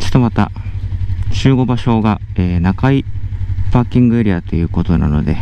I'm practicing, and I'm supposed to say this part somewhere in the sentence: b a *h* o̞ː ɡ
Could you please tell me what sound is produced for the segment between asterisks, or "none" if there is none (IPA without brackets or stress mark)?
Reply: ɕ